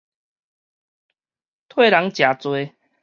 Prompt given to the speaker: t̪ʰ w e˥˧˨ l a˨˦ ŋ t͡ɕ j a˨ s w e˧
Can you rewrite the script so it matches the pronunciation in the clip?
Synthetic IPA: t̪ʰ w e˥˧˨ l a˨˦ ŋ t͡ɕ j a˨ t͡s w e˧